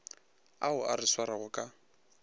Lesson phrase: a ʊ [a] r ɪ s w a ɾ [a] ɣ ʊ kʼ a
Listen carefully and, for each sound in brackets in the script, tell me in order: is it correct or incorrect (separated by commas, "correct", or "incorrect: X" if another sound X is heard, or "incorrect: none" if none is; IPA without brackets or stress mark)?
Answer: correct, correct